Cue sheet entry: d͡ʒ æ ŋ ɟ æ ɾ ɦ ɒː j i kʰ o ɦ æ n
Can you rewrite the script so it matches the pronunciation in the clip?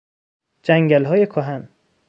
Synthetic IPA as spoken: d͡ʒ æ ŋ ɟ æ l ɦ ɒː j e kʰ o ɦ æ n